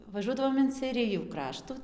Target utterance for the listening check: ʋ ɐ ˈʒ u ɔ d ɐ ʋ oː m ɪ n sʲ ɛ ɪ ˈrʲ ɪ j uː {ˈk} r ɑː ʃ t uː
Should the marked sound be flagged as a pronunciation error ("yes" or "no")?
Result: no